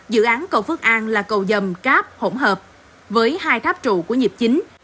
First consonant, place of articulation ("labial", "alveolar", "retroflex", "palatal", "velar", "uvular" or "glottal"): alveolar